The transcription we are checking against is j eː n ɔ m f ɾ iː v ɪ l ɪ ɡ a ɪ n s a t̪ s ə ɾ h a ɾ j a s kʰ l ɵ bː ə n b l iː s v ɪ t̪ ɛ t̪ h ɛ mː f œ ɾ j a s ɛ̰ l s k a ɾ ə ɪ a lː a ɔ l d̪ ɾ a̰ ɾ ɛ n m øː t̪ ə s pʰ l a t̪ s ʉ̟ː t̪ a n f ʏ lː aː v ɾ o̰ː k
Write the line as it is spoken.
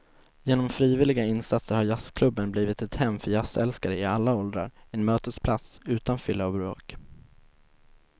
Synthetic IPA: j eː n ɔ m f ɾ iː v ɪ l ɪ ɡ a ɪ n s a t̪ s ə ɾ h a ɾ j a s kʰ l ɵ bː ə n b l iː v ɪ t̪ ɛ t̪ h ɛ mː f œ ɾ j a s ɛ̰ l s k a ɾ ə ɪ a lː a ɔ l d̪ ɾ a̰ ɾ ɛ n m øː t̪ ə s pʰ l a t̪ s ʉ̟ː t̪ a n f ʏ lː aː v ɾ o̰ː k

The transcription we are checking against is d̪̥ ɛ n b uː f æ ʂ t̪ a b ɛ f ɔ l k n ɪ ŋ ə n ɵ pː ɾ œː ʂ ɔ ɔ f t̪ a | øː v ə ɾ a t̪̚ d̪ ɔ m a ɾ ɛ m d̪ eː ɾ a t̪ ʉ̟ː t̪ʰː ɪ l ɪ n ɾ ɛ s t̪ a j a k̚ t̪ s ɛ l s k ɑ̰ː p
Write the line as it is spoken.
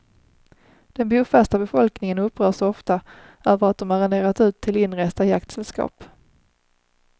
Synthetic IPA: d̪̥ ɛ n b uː f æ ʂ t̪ a b ɛ f ɔ l k n ɪ ŋ ə n ɵ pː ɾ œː ʂ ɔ ɔ f t̪ a | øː v ə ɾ a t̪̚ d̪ ɔ m a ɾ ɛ n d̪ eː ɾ a t̪ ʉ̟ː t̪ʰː ɪ l ɪ n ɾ ɛ s t̪ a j a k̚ t̪ s ɛ l s k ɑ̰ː p

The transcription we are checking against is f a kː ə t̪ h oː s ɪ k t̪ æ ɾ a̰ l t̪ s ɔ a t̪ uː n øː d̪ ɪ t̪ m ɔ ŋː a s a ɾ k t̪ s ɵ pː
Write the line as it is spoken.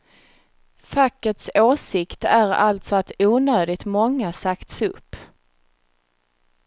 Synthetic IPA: f a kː ə t̪ s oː s ɪ k t̪ æ ɾ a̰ l t̪ s ɔ a t̪ uː n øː d̪ ɪ t̪ m ɔ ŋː a s a k t̪ s ɵ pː

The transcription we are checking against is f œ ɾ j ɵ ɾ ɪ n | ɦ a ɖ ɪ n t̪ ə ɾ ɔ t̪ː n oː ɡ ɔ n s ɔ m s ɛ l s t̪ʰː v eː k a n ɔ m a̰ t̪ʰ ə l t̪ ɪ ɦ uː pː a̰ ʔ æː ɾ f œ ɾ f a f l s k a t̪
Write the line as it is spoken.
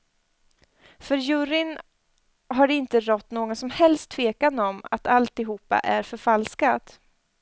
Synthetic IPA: f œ ɾ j ɵ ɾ ɪ n | ɦ a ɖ ɪ n t̪ ə ɾ ɔ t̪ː n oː ɡ ɔ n s ɔ m h ɛ l s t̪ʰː v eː k a n ɔ m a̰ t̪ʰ a l t̪ ɪ ɦ uː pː a̰ ʔ æ ɾ f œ ɾ f a l s k a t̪

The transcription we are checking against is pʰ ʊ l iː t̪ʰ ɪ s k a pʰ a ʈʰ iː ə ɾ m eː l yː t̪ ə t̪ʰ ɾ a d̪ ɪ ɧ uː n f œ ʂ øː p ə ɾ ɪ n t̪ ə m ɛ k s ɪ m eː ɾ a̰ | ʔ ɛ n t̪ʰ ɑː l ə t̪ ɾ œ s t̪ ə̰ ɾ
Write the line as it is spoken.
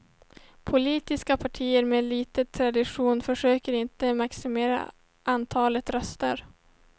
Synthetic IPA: pʰ ʊ l iː t̪ ɪ s k a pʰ a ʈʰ iː ə ɾ m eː l iː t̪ ə t̪ʰ ɾ a d̪ ɪ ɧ uː n f œ ʂ øː k ə ɾ ɪ n t̪ ə m a k s ɪ m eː ɾ a̰ | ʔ a n t̪ʰ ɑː l ə t̪ ɾ œ s t̪ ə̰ ɾ

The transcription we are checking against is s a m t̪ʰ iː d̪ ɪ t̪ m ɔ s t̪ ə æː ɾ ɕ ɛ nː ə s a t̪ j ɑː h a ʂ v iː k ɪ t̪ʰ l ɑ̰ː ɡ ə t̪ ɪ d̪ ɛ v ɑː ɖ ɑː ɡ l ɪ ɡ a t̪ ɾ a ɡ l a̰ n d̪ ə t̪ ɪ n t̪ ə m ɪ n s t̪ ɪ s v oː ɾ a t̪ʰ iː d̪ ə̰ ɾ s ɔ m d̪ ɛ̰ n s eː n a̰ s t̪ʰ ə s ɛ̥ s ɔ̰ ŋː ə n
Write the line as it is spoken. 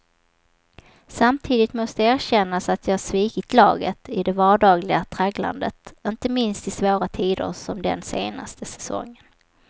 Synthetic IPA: s a m t̪ʰ iː d̪ ɪ t̪ m ɔ s t̪ ə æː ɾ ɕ ɛ nː a s a t̪ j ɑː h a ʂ v iː k ɪ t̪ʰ l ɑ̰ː ɡ ə t̪ ɪ d̪ ɛ v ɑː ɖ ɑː ɡ l ɪ ɡ a t̪ʰ ɾ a ɡ l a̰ n d̪ ə t̪ ɪ n t̪ ə m ɪ n s t̪ ɪ s v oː ɾ a t̪ʰ iː d̪ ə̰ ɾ s ɔ m d̪ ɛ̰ n s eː n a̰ s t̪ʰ ə s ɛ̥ s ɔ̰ ŋː ə n

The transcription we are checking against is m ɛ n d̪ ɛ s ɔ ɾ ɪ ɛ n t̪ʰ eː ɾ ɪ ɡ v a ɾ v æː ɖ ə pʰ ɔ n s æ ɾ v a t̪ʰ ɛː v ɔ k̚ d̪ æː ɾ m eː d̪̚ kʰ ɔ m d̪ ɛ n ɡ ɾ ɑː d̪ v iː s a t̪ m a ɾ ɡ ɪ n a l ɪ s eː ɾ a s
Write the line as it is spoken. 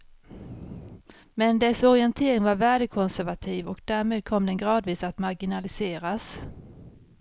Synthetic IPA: m ɛ n d̪ ɛ s ɔ ɾ ɪ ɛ n t̪ʰ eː ɾ ɪ ŋ v a ɾ v æː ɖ ə kʰ ɔ n s æ ɾ v a t̪ʰ iː v ɔ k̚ d̪ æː ɾ m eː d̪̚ kʰ ɔ m d̪ ɛ n ɡ ɾ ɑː d̪ v iː s a t̪ m a ɾ ɡ ɪ n a l ɪ s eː ɾ a s

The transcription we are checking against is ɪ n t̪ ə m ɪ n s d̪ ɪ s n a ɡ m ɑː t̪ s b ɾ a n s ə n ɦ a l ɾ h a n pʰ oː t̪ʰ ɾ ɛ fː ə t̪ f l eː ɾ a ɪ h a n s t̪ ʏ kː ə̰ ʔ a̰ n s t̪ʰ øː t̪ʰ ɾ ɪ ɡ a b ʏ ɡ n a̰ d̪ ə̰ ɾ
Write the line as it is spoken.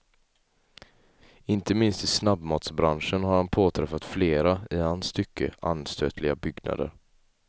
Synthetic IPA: ɪ n t̪ ə m ɪ n s t̪ ɪ s n a b m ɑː t̪ s b ɾ a n ʂ ə n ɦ a ɾ h a n pʰ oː t̪ʰ ɾ ɛ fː a t̪ f l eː ɾ a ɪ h a n s t̪ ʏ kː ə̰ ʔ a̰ n s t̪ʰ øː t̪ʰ l ɪ ɡ a b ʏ ɡ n a̰ d̪ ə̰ ɾ

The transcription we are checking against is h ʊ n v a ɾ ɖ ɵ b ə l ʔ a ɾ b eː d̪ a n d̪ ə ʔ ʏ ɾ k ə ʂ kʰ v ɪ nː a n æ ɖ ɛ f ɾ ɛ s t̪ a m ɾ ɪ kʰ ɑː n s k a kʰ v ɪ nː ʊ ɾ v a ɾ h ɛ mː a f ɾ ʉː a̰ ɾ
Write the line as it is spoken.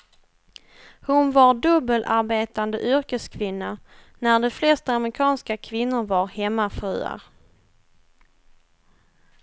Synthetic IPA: h ʊ n v a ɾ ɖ ɵ b ə l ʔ a ɾ b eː t̪ a n d̪ ə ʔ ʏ ɾ k ə s kʰ v ɪ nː a n æ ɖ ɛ f l ɛ s t̪ a m ɾ ɪ kʰ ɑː n s k a kʰ v ɪ nː ʊ ɾ v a ɾ h ɛ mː a f ɾ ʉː a̰ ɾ

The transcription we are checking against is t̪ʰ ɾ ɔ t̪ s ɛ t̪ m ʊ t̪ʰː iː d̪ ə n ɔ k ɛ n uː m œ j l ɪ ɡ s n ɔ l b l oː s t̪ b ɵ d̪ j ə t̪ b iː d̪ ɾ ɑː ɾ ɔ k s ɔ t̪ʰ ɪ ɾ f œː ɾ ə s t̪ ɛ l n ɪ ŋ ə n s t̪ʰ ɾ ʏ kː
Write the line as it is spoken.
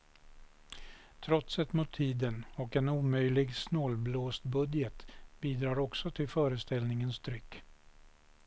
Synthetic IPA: t̪ʰ ɾ ɔ t̪ s ɛ t̪ m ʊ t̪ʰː iː d̪ ə n ɔ k ɛ n uː m œ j l ɪ ɡ s n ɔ l b l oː s t̪ b ɵ d̪ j ə t̪ b iː d̪ ɾ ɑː ɾ ɔ k s ɔ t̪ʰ ɪ l f œː ɾ ə s t̪ ɛ l n ɪ ŋ ə n s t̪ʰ ɾ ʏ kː

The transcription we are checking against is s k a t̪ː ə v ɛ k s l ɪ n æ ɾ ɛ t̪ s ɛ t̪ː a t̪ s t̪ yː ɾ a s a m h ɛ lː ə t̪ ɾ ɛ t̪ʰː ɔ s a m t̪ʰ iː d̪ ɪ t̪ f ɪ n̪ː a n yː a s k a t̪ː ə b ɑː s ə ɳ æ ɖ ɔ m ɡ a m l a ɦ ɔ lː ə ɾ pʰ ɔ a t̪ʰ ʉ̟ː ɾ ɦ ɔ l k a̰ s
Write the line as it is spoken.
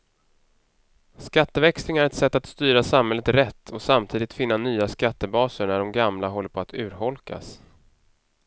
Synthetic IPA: s k a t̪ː ə v ɛ k s l ɪ ŋ æ ɾ ɛ t̪ s ɛ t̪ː a t̪ s t̪ yː ɾ a s a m h ɛ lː ə t̪ ɾ ɛ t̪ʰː ɔ s a m t̪ʰ iː d̪ ɪ t̪ f ɪ n̪ː a n yː a s k a t̪ː ə b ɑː s ə ɳ æ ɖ ɔ m ɡ a m l a ɦ ɔ lː ə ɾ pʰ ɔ a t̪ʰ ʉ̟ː ɾ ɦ ɔ l k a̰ s

